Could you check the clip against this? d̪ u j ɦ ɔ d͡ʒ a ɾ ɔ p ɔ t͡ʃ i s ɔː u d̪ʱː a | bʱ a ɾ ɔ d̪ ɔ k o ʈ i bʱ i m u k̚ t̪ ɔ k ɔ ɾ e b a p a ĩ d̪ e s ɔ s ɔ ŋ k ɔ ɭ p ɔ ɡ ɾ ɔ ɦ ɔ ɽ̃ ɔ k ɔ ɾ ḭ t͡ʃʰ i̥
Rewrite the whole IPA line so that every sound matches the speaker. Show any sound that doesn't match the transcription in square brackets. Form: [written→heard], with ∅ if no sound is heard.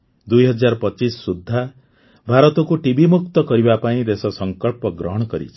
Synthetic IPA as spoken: d̪ u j ɦ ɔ d͡ʒ a ɾ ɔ p ɔ t͡ʃ i s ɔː u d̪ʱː a | bʱ a ɾ ɔ [d̪→t̪] ɔ k [o→u] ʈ i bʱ i m u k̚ t̪ ɔ k ɔ ɾ [e→i] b a p a ĩ d̪ e s ɔ s ɔ ŋ k ɔ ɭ p ɔ ɡ ɾ ɔ ɦ ɔ ɽ̃ ɔ k ɔ ɾ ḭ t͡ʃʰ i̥

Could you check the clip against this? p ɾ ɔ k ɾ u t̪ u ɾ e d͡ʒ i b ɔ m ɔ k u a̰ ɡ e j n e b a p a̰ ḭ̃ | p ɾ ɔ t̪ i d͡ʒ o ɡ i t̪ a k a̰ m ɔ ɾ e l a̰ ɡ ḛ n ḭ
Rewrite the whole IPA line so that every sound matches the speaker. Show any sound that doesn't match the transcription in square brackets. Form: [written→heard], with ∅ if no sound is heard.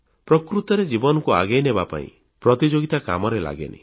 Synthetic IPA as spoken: p ɾ ɔ k ɾ u t̪ [u→ɔ] ɾ e d͡ʒ i b ɔ [m→n] ɔ k u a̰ ɡ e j n e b a p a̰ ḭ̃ | p ɾ ɔ t̪ i d͡ʒ o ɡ i t̪ a k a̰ m ɔ ɾ e l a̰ ɡ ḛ n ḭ

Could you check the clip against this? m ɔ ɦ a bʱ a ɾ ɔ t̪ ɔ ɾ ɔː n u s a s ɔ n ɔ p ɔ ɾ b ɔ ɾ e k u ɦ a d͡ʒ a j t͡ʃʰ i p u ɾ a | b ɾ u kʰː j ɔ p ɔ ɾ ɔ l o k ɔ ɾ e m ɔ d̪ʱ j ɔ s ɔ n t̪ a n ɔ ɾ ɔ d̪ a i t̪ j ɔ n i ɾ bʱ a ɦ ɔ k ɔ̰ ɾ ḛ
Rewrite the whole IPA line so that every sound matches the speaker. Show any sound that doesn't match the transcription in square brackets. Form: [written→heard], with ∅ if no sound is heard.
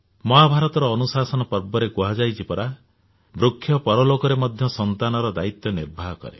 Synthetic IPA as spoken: m ɔ ɦ a bʱ a ɾ ɔ t̪ ɔ ɾ ɔː n u s a s ɔ n ɔ p ɔ ɾ b ɔ ɾ e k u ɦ a d͡ʒ a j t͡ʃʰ i p [u→ɔ] ɾ a | b ɾ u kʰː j ɔ p ɔ ɾ ɔ l o k ɔ ɾ e m ɔ d̪ʱ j ɔ s ɔ n t̪ a n ɔ ɾ ɔ d̪ a i t̪ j ɔ n i ɾ bʱ a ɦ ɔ k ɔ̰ ɾ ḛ

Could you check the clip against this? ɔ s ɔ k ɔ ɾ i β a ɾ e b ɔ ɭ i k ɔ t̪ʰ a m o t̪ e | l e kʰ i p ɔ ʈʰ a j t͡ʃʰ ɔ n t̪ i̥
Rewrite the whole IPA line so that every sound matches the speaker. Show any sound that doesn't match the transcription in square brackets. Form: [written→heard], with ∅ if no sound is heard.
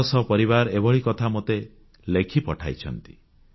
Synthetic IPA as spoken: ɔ s ɔ [k→p] ɔ ɾ i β a ɾ e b ɔ ɭ i k ɔ t̪ʰ a m o t̪ e | l e kʰ i p ɔ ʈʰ a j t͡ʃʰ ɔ n t̪ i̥

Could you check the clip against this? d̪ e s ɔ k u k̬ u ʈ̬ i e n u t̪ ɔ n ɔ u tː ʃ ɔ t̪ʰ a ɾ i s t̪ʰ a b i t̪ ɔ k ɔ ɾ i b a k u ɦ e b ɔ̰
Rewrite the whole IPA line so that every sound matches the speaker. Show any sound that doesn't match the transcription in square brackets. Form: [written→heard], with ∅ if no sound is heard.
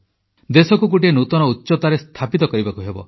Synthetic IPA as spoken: d̪ e s ɔ k u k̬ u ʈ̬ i e n u t̪ ɔ n ɔ u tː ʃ ɔ [t̪ʰ→t̪] a ɾ [i→e] s t̪ʰ a [b→p] i t̪ ɔ k ɔ ɾ i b a k u ɦ e b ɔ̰

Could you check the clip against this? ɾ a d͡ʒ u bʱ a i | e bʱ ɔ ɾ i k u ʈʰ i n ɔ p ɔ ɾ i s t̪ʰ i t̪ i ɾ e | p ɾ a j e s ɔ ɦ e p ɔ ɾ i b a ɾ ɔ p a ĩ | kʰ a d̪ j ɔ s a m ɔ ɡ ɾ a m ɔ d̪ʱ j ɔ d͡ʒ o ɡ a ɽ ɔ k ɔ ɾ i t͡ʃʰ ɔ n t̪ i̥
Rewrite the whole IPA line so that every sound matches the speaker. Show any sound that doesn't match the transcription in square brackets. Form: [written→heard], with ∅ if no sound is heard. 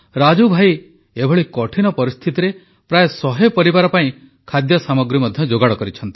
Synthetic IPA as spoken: ɾ a d͡ʒ u bʱ a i | e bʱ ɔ [ɾ→ɭ] i k [u→ɔ] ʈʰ i n ɔ p ɔ ɾ i s t̪ʰ i t̪ i ɾ e | p ɾ a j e s ɔ ɦ e p ɔ ɾ i b a ɾ ɔ p a ĩ | kʰ a d̪ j ɔ s a m ɔ ɡ ɾ [a→i] m ɔ d̪ʱ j ɔ d͡ʒ o ɡ a ɽ ɔ k ɔ ɾ i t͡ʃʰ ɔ n t̪ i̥

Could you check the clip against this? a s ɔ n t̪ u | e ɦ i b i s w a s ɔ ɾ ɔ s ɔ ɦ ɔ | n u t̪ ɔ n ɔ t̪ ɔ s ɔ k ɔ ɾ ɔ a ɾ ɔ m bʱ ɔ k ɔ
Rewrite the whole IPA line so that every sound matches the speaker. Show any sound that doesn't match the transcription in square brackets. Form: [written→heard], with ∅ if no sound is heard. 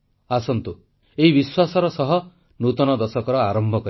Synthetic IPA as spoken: a s ɔ n t̪ u | e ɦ i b i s w a s ɔ ɾ ɔ s ɔ ɦ ɔ | n u t̪ ɔ n ɔ [t̪→d̪] ɔ s ɔ k ɔ ɾ ɔ a ɾ ɔ m bʱ ɔ k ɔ

